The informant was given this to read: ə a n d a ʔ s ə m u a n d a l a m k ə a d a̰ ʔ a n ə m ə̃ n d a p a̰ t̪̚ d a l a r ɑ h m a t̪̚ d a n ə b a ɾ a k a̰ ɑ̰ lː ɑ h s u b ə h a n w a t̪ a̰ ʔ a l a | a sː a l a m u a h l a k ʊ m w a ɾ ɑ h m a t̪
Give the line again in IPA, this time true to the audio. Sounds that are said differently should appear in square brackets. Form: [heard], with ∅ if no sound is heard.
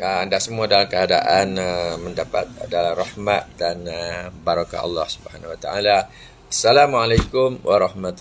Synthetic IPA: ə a n d a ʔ s ə m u a [∅] d a l a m k ə a d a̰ ʔ a n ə m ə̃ n d a p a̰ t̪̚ d a l a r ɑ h m a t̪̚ d a n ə b a ɾ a k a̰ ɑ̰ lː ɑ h s u b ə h a n w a t̪ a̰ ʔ a l a | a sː a l a m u a [∅] l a k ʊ m w a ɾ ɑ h m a t̪